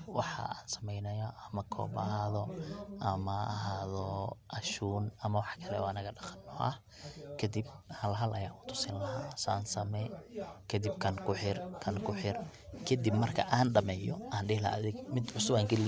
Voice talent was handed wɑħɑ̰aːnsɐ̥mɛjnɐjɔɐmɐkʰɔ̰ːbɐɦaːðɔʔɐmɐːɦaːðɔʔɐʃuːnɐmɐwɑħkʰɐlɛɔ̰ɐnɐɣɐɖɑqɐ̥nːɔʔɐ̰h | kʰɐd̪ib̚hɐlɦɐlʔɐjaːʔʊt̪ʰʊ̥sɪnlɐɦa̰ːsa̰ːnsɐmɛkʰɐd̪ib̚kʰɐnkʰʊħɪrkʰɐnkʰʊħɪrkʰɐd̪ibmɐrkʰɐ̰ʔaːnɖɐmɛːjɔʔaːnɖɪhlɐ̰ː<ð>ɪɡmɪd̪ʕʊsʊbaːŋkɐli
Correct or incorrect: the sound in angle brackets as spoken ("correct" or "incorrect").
correct